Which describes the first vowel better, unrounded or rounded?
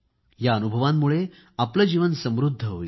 unrounded